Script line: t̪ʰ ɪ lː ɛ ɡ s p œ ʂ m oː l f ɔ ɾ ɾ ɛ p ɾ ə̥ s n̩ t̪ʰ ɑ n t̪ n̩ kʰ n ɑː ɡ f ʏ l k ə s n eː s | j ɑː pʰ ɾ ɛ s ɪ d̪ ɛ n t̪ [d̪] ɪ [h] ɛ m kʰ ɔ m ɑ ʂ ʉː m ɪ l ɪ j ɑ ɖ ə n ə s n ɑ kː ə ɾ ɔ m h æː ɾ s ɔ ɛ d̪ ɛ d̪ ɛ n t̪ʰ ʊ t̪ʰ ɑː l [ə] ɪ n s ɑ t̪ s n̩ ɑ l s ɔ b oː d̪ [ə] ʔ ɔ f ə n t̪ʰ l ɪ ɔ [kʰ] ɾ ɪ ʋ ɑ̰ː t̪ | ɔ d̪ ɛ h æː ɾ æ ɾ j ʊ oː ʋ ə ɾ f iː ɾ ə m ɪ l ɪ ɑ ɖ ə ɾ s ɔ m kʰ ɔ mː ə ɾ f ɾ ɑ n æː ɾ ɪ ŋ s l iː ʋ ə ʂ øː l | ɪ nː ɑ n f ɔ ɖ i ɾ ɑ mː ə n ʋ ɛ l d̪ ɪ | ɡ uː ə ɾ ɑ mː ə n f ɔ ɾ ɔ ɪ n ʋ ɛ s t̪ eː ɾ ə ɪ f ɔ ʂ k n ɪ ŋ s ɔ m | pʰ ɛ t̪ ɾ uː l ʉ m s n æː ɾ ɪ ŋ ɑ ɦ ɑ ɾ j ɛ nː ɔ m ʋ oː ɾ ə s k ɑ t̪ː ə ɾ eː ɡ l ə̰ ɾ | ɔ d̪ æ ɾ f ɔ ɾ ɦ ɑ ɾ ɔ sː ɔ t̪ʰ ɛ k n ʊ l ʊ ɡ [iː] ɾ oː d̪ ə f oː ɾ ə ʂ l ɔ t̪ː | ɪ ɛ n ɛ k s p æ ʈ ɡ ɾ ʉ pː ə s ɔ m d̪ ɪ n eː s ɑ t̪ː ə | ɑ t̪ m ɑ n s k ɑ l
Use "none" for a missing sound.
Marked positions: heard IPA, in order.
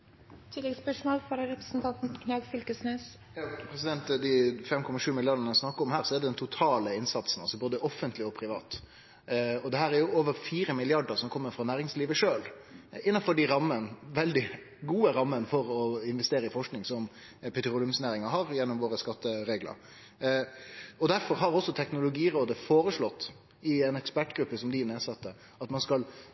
d̪, f, ə, ə, pʰ, iː

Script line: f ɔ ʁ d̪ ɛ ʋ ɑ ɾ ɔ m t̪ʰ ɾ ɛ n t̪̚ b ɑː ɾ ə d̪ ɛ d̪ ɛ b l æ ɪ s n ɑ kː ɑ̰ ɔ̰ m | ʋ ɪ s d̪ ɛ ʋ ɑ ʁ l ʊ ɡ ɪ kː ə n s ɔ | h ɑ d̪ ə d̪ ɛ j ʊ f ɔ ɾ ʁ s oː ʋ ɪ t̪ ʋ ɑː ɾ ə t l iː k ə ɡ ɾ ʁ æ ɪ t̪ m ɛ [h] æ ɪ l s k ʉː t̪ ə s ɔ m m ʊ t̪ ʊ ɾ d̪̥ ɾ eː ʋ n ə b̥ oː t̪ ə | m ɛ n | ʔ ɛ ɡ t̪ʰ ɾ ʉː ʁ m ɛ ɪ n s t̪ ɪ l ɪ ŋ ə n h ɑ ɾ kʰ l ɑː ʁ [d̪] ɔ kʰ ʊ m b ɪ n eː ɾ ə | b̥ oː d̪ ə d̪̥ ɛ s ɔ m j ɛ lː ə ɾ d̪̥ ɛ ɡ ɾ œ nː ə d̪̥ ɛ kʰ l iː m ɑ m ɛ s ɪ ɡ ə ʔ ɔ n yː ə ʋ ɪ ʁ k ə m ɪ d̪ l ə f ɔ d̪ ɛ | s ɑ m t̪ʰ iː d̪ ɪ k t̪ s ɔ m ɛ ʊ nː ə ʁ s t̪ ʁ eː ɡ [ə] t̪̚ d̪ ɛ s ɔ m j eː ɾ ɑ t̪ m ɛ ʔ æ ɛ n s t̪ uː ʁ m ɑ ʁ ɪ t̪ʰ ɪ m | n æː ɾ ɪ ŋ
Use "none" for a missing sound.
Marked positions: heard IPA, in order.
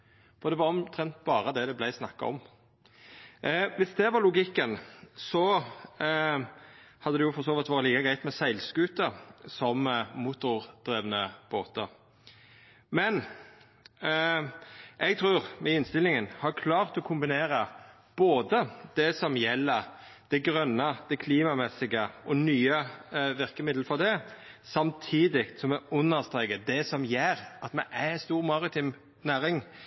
s, t̪, ə

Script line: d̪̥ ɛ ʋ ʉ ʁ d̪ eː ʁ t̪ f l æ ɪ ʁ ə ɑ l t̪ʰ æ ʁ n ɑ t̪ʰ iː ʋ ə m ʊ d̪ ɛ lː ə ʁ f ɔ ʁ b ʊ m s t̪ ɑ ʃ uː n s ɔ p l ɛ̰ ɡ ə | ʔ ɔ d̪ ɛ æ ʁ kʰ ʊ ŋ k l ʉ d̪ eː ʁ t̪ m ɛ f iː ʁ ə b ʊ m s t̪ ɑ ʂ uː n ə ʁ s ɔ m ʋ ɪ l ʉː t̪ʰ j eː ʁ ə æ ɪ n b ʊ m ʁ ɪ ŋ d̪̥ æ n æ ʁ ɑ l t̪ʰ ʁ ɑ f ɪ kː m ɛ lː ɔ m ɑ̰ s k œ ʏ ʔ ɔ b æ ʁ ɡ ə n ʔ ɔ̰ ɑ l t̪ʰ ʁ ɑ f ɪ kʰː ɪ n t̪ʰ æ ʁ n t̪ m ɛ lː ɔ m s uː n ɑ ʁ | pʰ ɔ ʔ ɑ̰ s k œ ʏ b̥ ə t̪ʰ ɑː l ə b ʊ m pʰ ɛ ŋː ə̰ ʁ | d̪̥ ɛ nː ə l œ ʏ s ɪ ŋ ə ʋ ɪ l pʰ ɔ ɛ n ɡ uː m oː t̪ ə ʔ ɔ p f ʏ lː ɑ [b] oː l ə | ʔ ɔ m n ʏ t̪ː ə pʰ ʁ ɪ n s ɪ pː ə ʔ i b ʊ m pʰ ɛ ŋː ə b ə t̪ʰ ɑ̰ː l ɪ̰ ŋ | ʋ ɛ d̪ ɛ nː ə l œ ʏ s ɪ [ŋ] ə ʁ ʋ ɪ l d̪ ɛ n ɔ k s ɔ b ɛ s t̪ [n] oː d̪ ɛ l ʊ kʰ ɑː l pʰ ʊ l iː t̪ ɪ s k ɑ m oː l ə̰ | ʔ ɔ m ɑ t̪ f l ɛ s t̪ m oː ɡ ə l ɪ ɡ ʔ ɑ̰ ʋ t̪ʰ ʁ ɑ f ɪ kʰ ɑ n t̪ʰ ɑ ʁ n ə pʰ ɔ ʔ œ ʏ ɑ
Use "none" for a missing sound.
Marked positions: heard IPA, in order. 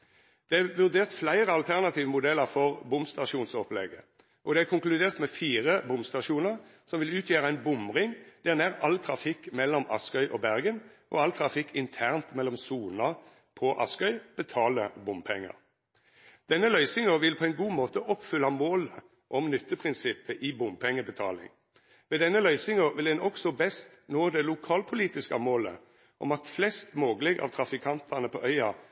m, ŋ, n

